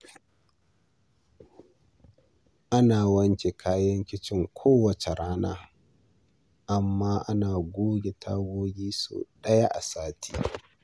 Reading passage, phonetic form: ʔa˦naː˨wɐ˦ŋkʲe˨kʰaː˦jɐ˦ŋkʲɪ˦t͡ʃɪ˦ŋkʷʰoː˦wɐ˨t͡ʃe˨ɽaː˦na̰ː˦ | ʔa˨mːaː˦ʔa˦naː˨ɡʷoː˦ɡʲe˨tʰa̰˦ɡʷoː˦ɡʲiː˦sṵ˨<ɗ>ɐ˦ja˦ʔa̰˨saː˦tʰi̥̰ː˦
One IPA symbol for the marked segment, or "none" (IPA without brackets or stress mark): ɗ